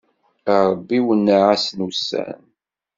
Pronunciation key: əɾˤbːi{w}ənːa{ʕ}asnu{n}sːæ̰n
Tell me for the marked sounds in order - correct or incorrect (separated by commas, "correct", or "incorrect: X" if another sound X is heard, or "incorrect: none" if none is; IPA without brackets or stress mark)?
correct, correct, incorrect: none